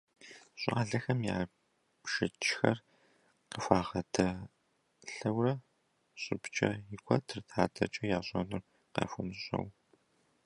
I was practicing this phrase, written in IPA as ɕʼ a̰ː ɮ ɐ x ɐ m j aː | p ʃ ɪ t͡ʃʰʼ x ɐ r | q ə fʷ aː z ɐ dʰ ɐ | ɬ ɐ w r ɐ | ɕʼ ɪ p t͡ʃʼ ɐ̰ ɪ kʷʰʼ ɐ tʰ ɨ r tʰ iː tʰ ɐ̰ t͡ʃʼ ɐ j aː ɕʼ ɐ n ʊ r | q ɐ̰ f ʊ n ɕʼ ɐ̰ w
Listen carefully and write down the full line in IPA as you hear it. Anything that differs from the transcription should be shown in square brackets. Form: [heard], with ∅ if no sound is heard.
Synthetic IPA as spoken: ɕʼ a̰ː ɮ ɐ x ɐ m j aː | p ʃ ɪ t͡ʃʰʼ x ɐ r | q ə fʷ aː [ʁ] ɐ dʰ ɐ | ɬ ɐ w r ɐ | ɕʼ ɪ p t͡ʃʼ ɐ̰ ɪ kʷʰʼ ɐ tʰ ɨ r tʰ [aː] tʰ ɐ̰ t͡ʃʼ ɐ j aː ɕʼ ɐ n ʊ r | q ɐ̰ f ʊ n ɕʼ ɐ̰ w